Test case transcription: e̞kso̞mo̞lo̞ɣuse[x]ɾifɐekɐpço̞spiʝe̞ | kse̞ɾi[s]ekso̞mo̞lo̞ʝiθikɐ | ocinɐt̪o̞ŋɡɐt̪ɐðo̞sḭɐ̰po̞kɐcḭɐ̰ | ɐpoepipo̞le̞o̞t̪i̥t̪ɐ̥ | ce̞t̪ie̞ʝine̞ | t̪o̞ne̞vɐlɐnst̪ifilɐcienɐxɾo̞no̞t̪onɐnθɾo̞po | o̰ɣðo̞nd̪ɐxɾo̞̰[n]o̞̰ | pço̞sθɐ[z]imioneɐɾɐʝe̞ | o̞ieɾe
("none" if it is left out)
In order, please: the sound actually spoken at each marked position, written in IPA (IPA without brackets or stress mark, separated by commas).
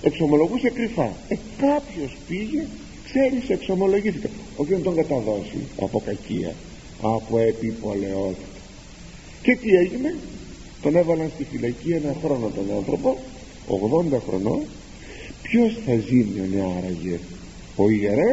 k, s, n, z